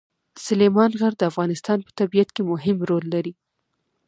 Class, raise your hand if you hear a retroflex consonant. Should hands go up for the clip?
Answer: no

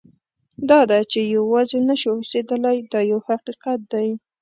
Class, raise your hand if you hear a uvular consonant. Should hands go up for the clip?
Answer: yes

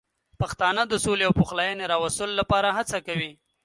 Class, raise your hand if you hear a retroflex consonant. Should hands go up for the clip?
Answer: no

